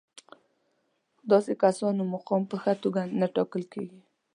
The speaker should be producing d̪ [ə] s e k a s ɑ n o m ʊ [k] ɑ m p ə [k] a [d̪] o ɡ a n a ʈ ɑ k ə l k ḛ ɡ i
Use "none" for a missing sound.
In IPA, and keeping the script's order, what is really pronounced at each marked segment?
ɑ, q, x, t̪

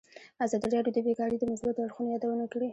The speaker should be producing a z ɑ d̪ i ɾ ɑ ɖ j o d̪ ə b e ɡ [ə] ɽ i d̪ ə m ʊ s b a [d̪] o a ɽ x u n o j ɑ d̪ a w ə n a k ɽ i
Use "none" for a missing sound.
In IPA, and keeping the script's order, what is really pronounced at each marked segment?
ɑ, t̪

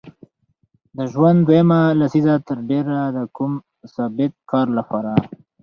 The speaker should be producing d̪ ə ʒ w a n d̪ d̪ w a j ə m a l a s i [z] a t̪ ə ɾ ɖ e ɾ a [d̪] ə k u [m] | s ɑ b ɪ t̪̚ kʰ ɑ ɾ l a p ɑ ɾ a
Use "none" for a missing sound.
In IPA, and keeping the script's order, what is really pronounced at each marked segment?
z, d̪, m

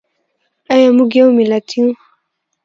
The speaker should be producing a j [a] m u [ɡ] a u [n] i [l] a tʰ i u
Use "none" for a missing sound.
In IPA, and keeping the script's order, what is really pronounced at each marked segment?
a, ɡ, m, l

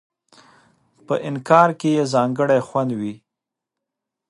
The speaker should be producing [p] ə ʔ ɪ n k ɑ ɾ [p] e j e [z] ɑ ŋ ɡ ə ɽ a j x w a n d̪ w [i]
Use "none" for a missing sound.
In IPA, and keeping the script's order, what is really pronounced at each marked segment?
p, k, z, i

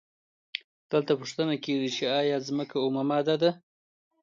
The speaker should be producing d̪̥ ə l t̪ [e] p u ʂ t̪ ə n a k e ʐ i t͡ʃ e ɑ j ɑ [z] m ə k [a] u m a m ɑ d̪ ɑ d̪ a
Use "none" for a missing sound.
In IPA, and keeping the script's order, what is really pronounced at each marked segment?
a, z, a

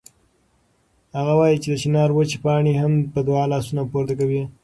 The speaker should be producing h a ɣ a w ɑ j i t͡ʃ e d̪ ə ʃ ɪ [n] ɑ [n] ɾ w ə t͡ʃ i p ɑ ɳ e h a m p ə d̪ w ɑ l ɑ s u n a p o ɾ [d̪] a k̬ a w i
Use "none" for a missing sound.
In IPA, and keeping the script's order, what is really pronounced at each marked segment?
n, none, t̪

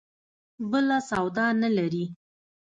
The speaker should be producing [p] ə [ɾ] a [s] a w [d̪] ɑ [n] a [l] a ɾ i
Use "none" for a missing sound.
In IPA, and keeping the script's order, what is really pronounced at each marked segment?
b, l, s, d̪, n, l

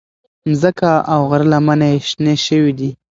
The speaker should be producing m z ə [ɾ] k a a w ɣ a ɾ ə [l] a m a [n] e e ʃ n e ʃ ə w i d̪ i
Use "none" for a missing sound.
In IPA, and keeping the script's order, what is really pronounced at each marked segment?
none, l, n

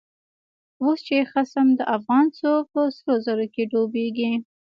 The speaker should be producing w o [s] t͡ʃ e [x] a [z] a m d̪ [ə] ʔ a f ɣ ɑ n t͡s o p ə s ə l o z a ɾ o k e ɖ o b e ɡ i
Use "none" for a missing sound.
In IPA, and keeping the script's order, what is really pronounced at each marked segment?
s, x, s, ə

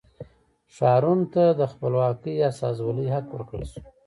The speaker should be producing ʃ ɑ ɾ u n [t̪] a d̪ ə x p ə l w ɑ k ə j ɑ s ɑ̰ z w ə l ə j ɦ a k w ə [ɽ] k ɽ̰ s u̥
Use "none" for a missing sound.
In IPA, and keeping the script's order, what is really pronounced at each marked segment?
t̪, ɾ

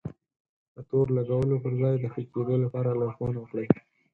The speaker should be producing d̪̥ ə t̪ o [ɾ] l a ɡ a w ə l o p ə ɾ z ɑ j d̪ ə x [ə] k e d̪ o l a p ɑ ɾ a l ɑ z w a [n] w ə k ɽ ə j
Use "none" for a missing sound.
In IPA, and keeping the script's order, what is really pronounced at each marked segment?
ɾ, ə, n

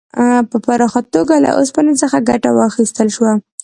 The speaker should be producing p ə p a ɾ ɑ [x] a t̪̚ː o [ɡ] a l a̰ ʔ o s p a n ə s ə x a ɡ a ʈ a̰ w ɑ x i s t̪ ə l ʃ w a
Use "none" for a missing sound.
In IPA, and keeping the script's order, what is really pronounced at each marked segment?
x, ɡ

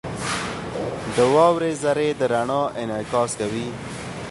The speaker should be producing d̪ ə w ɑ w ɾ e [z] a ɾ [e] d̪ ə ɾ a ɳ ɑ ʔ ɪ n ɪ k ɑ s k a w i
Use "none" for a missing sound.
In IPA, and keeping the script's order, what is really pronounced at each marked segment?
z, e

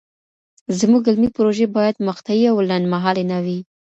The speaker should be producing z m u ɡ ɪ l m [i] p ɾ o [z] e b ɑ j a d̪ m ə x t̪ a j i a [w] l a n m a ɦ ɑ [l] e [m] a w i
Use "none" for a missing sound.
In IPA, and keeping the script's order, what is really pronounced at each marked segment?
i, ʒ, w, l, n

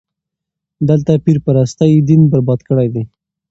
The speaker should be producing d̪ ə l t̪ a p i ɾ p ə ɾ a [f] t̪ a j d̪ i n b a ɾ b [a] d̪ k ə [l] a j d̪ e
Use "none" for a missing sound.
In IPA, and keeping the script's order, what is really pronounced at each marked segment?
s, ɑ, ɽ

